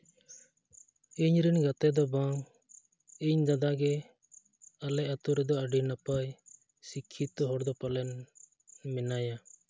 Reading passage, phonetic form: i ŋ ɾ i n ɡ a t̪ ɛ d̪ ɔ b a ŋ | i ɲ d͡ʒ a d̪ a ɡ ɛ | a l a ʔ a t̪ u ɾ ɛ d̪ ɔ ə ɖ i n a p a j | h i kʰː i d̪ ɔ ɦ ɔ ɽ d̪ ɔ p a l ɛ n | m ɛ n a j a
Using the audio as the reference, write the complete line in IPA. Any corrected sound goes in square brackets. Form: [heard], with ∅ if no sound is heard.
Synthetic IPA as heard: i [ɲ] ɾ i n ɡ a t̪ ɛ d̪ ɔ b a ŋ | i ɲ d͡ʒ a d̪ a ɡ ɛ | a l [ɛ] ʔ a t̪ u ɾ ɛ d̪ ɔ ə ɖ i n a p a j | [s] i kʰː i [t̪] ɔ ɦ ɔ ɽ d̪ ɔ p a l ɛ n | m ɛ n a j a